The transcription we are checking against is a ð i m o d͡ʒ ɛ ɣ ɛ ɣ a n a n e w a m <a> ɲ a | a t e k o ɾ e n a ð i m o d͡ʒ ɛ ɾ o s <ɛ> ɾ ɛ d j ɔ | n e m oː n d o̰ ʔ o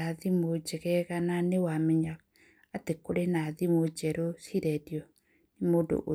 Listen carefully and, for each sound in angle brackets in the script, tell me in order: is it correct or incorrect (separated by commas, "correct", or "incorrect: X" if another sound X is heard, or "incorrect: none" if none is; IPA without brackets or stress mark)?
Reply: incorrect: ɛ, incorrect: i